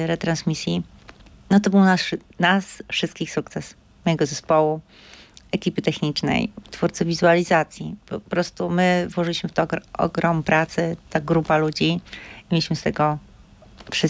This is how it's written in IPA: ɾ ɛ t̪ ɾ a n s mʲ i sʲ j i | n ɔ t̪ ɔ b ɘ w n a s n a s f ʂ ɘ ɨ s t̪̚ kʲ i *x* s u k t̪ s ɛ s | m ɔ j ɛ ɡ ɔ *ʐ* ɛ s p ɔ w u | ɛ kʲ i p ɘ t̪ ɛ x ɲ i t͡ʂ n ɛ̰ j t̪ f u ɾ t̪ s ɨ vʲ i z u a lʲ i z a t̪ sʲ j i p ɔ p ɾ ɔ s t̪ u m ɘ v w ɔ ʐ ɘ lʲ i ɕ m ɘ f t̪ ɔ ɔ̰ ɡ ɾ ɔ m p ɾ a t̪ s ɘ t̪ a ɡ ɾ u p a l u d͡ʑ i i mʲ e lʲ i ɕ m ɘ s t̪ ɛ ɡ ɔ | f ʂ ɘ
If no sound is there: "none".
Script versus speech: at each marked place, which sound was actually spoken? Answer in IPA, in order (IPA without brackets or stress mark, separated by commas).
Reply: x, z